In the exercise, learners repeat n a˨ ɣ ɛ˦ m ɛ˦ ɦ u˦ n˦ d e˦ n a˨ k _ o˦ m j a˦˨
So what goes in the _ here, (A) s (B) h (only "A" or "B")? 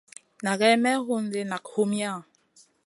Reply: B